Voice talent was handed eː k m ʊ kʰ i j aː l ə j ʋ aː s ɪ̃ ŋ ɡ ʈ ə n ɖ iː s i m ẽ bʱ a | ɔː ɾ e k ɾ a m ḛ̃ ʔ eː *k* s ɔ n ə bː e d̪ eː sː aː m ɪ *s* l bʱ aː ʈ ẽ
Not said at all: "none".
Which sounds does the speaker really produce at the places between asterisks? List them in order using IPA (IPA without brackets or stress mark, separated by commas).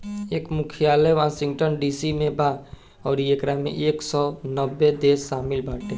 k, none